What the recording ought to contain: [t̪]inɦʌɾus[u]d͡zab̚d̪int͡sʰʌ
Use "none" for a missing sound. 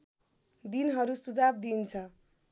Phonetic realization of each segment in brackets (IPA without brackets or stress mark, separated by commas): d̪, u